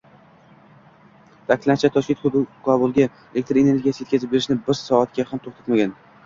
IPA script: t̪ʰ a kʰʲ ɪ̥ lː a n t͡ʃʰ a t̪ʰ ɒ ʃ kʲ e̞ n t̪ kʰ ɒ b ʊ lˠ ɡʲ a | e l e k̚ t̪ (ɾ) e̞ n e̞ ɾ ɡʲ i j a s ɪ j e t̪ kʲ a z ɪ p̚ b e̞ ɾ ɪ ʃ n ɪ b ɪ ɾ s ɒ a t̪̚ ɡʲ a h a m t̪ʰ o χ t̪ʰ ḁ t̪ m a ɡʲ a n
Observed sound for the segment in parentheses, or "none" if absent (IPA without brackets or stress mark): ɾ